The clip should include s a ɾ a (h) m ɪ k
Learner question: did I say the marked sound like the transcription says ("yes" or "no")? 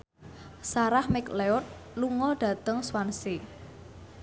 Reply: yes